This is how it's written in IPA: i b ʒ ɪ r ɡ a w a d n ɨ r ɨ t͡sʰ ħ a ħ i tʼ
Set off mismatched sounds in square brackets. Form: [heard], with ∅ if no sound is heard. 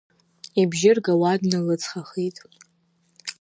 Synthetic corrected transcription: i b ʒ ɪ r ɡ a w a d n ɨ [l] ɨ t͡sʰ [χ] a [χ] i tʼ